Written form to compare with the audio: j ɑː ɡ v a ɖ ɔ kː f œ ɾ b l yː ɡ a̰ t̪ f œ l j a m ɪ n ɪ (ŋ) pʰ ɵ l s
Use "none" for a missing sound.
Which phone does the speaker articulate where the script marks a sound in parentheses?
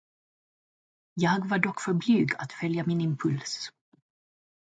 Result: m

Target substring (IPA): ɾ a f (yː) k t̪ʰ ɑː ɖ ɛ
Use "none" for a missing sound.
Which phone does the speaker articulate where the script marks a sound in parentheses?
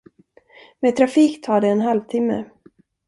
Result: iː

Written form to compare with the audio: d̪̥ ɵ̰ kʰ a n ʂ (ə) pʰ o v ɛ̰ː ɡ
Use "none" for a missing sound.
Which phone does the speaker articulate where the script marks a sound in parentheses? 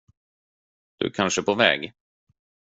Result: ə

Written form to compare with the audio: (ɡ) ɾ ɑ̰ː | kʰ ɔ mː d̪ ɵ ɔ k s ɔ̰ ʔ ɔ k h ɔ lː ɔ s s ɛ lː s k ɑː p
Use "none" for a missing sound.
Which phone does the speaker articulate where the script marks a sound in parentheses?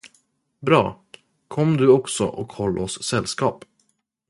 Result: b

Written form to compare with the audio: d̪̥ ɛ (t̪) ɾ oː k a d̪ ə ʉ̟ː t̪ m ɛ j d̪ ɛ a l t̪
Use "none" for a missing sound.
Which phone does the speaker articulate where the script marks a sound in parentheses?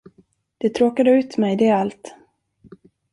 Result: t̪ʰ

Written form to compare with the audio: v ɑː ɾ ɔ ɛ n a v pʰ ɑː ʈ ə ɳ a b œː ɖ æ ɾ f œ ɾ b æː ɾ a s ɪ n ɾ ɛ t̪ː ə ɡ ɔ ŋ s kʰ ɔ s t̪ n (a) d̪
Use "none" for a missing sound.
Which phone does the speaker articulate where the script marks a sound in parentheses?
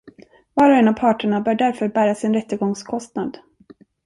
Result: a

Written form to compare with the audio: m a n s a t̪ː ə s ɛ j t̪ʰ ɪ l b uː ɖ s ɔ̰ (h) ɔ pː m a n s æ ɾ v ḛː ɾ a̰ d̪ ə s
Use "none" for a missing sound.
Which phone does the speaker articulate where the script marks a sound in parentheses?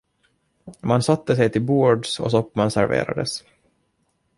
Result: s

